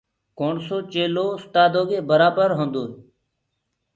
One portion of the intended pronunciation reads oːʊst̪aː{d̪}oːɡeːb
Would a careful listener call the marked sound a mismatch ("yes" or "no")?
no